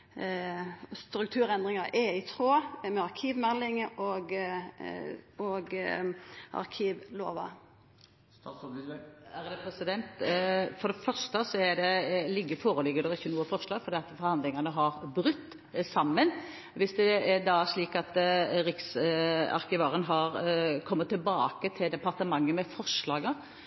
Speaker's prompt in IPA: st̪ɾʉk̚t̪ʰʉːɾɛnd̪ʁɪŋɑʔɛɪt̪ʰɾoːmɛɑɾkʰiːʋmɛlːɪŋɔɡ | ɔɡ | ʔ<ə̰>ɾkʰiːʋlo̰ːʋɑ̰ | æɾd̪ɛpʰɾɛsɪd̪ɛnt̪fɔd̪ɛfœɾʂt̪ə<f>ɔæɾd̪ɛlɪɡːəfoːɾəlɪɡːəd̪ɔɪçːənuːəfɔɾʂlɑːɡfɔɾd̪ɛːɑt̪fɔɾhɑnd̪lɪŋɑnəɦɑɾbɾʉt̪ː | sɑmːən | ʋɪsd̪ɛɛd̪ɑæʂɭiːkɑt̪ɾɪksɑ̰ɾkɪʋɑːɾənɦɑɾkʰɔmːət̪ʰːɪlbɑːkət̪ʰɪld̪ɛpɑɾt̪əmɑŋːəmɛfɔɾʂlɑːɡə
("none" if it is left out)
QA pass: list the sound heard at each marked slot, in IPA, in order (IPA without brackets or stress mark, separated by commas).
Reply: ɑ̰, s